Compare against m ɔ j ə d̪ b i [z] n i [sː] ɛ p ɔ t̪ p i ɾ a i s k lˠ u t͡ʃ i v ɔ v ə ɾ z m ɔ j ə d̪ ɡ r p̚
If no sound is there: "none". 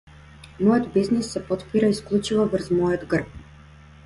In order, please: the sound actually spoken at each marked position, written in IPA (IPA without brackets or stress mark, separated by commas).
z, sː